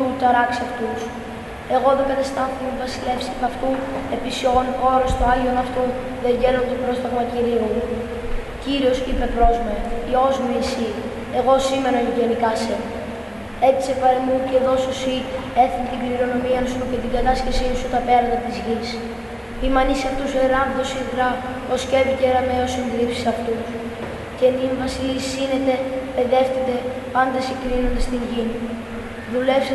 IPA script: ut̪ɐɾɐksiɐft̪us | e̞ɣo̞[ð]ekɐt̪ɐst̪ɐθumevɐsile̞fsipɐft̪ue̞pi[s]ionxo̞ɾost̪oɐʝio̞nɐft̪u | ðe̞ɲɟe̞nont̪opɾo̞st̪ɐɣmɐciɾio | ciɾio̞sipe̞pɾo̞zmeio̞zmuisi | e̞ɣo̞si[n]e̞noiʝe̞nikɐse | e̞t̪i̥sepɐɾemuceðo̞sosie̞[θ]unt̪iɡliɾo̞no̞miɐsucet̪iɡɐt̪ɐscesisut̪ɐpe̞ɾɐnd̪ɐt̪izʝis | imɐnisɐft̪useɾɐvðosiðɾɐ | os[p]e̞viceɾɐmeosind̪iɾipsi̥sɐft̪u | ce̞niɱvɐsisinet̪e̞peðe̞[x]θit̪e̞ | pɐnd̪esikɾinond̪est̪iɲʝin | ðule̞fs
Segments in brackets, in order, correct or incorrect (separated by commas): correct, correct, incorrect, correct, incorrect, incorrect